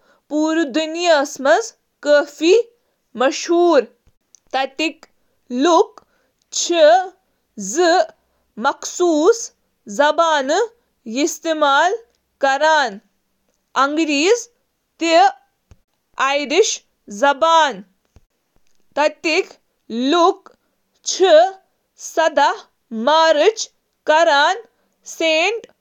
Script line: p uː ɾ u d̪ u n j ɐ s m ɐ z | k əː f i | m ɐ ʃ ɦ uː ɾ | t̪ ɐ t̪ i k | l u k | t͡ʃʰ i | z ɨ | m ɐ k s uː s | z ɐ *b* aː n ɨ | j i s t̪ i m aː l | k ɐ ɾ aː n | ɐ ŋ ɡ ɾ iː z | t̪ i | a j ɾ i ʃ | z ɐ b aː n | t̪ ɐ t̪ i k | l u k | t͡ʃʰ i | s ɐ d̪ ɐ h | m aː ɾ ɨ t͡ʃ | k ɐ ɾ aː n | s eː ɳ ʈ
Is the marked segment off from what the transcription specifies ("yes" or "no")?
no